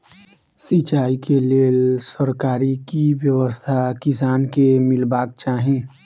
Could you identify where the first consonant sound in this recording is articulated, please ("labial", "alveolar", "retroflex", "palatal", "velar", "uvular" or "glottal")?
alveolar